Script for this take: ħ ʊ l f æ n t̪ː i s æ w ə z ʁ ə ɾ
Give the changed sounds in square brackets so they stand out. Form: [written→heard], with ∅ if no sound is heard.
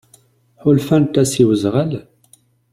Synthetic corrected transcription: ħ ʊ l f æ n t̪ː [i→æ] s [æ→i] w ə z ʁ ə [ɾ→l]